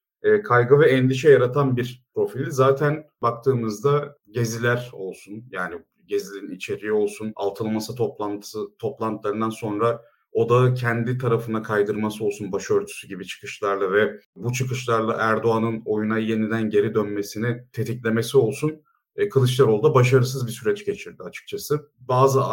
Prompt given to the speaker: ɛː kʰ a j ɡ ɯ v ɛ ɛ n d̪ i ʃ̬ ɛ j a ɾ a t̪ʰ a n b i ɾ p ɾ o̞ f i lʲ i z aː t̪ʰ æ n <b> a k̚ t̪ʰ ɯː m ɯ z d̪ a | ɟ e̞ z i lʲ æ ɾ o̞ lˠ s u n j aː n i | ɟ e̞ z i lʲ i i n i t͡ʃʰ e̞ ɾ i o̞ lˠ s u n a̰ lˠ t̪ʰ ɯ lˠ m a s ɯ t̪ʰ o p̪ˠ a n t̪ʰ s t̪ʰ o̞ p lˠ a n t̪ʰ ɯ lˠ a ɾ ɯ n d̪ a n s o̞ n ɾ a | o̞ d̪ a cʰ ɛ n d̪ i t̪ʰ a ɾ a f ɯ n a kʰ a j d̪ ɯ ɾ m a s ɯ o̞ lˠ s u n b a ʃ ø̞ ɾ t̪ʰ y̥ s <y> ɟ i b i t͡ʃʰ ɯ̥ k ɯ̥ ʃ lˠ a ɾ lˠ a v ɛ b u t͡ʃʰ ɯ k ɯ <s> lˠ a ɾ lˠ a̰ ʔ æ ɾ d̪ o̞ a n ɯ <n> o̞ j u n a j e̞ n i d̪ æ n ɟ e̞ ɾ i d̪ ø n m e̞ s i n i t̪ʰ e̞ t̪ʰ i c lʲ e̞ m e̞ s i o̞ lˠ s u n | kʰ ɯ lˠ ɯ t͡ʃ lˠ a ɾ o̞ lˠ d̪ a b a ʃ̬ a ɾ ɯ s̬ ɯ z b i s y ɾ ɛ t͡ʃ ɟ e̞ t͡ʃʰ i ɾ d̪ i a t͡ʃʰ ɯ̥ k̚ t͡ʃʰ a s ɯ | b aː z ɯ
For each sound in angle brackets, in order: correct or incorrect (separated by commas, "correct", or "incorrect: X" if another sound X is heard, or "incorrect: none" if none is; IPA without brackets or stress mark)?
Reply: correct, correct, incorrect: ʃ, correct